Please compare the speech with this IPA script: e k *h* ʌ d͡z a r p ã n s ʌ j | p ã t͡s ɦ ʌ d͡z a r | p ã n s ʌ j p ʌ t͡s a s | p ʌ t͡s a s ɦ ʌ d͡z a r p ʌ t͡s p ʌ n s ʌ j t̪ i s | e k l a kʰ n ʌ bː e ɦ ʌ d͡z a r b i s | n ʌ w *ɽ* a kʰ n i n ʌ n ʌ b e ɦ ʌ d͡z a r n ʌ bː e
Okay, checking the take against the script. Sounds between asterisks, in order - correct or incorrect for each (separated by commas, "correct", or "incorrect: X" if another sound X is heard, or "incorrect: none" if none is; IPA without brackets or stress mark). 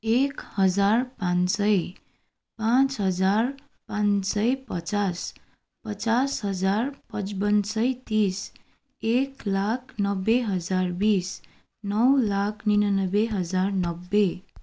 correct, incorrect: l